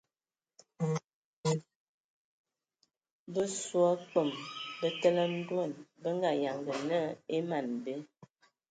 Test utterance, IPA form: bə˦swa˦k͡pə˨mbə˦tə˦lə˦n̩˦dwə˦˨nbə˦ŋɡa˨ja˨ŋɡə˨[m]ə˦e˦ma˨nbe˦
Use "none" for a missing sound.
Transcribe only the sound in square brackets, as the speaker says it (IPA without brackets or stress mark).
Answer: n